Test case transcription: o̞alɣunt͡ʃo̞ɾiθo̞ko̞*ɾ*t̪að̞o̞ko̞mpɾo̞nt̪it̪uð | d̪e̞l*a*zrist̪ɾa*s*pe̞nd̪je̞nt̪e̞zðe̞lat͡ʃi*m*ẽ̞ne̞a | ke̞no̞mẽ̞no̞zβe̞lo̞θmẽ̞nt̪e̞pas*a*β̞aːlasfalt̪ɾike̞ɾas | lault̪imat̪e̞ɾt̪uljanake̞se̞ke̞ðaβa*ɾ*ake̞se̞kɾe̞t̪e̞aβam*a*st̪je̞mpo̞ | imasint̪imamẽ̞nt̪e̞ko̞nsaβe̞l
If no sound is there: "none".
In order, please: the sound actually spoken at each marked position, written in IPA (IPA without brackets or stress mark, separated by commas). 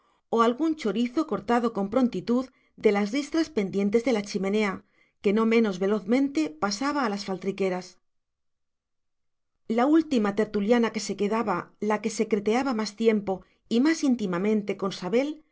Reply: ɾ, a, s, m, a, l, a